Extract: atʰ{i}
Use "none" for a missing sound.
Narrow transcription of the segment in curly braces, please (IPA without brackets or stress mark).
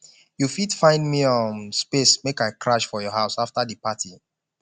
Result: i